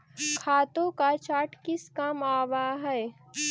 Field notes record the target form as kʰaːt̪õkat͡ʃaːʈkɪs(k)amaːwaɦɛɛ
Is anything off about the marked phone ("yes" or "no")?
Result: no